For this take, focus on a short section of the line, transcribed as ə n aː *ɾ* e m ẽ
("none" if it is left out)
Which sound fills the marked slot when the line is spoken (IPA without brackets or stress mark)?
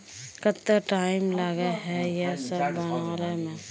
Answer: ɾ